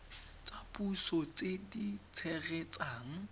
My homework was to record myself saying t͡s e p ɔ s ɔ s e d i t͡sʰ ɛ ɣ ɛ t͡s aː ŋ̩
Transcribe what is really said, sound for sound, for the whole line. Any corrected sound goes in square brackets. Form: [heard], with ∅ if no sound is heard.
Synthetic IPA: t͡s [a] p [u] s ɔ [t͡s] e d i t͡sʰ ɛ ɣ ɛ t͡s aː ŋ̩